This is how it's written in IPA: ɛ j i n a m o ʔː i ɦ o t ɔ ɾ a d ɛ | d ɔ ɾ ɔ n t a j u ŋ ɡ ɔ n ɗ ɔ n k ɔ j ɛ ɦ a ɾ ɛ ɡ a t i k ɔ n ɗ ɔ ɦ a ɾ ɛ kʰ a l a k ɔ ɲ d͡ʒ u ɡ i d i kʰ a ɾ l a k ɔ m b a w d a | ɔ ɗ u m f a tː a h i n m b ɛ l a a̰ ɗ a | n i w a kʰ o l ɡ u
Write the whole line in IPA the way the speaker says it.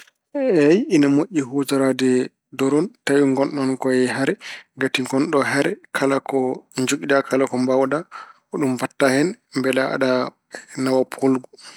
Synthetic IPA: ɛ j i n a m o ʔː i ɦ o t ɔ ɾ a d ɛ | d ɔ ɾ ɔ n t a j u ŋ ɡ ɔ n ɗ ɔ n k ɔ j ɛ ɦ a ɾ ɛ ɡ a t i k ɔ n ɗ ɔ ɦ a ɾ ɛ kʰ a l a k ɔ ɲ d͡ʒ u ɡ i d a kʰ a l a k ɔ m b a w d a | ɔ ɗ u m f a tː a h ɛ n m b ɛ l a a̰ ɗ a | n a w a pʰ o l ɡ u